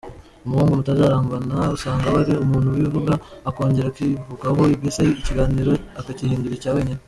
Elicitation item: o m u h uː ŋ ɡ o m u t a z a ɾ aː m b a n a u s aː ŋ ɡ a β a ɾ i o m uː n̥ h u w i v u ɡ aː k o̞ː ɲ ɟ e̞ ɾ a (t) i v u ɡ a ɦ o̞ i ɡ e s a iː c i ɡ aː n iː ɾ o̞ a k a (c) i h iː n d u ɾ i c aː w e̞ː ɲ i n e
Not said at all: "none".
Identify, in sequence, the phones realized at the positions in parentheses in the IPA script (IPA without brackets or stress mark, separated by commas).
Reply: k, c